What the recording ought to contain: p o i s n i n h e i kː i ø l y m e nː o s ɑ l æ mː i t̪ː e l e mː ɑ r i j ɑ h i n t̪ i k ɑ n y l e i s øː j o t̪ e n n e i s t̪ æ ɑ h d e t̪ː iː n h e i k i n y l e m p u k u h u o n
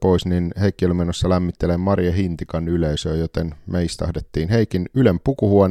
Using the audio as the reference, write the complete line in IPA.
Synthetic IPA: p o i s n i n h e i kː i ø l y m e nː o sː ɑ l æ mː i t̪ː e l e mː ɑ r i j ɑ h i n t̪ i k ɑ n y l e i s øː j o t̪ e n m e i s t̪ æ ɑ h d e t̪ː iː n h e i k i n y l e m p u k u h u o n